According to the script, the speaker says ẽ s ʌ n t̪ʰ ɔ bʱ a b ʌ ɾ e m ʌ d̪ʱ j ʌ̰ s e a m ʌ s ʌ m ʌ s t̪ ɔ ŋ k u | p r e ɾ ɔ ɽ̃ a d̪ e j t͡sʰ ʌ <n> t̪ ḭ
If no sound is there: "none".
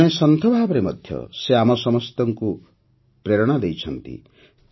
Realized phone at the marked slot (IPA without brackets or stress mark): n